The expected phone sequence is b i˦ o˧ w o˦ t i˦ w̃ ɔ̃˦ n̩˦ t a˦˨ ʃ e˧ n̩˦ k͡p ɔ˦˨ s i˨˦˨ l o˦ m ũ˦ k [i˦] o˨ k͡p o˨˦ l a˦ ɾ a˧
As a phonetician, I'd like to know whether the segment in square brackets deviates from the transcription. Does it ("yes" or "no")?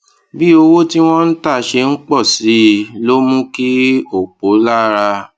no